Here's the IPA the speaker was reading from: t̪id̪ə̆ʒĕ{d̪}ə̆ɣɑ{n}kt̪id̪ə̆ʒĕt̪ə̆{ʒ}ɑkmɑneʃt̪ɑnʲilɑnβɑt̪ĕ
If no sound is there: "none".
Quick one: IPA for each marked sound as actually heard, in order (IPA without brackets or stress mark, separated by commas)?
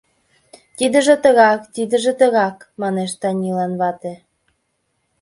t̪, none, ɣ